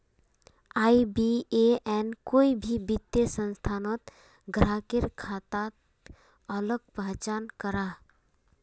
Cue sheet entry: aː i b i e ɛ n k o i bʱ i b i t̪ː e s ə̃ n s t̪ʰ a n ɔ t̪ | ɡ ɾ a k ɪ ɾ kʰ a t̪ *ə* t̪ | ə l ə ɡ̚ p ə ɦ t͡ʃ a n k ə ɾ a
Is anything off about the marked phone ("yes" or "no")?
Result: yes